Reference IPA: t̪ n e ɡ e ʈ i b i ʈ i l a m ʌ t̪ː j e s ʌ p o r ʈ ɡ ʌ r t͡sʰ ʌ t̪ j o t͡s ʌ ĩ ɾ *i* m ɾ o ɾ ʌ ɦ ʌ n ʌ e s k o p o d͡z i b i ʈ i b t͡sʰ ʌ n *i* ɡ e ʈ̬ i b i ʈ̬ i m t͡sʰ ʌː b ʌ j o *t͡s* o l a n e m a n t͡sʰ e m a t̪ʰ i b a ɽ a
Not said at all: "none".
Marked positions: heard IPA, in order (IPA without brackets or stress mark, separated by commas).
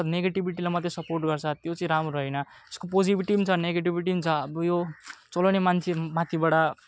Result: a, e, t͡s